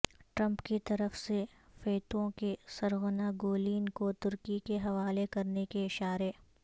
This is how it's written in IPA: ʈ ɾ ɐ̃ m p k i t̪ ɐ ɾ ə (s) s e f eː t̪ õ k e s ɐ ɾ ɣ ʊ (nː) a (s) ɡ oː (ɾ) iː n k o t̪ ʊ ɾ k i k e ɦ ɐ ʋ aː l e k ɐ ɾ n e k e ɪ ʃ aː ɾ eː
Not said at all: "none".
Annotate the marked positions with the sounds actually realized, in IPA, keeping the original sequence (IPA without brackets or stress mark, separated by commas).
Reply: f, n, none, l